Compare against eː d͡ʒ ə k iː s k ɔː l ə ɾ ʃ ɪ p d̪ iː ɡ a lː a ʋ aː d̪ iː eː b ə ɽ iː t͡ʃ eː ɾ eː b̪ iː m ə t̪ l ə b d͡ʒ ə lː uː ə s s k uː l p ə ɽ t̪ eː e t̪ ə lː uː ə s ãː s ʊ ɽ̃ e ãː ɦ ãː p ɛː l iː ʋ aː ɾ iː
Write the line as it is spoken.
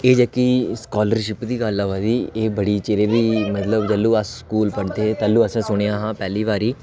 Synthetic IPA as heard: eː d͡ʒ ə k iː s k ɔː l ə ɾ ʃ ɪ p d̪ iː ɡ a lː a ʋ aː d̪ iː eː b ə ɽ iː t͡ʃ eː ɾ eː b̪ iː m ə t̪ l ə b d͡ʒ ə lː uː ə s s k uː l p ə ɽ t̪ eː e t̪ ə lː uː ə s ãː s ʊ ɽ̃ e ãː ɦ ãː p ɛː l iː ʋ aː ɾ iː